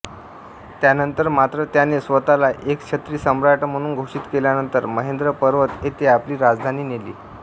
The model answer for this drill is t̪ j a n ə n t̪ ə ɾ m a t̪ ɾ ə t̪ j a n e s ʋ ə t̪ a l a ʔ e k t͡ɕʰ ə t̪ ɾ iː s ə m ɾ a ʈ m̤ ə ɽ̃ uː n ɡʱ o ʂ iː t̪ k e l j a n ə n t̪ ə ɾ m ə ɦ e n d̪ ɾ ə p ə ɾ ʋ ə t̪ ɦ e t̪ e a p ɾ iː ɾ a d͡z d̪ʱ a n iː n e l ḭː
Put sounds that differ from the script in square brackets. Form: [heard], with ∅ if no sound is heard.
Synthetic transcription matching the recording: t̪ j a n ə n t̪ ə ɾ m a t̪ ɾ ə t̪ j a n e s ʋ ə t̪ a l a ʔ e k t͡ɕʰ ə t̪ ɾ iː s ə m ɾ a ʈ m̤ ə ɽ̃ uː n ɡʱ o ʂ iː t̪ k e l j a n ə n t̪ ə ɾ m ə ɦ e n d̪ ɾ ə p ə ɾ ʋ ə t̪ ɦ e t̪ e a p [l] iː ɾ a d͡z d̪ʱ a n iː n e l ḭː